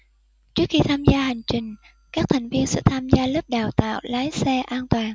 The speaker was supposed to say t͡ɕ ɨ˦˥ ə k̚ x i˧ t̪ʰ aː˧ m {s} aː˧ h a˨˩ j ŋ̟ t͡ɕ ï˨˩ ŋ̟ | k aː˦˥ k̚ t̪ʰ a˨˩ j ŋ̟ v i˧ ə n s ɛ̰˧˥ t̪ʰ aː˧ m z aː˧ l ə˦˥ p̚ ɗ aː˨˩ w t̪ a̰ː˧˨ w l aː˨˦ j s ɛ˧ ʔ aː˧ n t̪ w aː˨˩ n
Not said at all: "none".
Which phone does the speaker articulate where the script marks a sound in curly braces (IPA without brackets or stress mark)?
z